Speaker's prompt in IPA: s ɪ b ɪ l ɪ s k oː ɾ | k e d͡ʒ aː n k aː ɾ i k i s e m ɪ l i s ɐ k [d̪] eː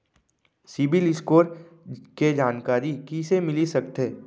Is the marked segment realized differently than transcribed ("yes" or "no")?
yes